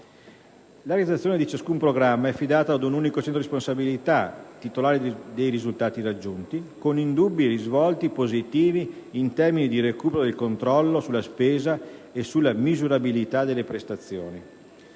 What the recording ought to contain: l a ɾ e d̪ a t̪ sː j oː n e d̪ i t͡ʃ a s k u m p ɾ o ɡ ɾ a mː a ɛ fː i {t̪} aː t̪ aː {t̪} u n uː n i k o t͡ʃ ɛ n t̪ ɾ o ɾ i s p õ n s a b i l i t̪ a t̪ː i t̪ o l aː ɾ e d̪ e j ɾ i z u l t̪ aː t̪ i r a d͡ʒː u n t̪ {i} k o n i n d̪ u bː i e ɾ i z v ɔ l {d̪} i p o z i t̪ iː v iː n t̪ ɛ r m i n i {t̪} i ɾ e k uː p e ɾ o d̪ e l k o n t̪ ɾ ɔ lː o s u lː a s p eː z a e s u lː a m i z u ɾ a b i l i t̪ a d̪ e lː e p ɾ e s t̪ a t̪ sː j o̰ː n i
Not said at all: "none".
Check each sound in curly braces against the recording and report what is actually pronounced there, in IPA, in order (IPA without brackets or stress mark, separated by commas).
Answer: d̪, d̪, i, t̪, d̪